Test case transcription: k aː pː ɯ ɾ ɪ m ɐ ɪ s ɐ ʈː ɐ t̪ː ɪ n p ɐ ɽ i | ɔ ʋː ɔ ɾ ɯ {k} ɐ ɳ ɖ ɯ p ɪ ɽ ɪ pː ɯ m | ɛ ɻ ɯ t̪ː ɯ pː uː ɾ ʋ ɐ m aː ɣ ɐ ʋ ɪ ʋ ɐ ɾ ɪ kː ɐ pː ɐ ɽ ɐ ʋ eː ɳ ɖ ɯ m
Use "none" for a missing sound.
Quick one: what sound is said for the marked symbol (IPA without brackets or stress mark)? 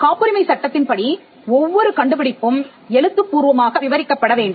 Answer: k